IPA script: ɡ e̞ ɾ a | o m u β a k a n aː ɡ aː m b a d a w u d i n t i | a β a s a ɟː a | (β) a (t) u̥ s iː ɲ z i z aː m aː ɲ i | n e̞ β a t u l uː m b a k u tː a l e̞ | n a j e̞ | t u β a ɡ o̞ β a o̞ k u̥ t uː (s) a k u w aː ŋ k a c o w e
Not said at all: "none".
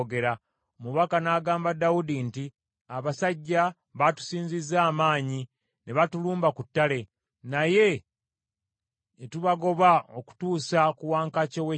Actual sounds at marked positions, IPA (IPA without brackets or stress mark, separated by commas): β, t, s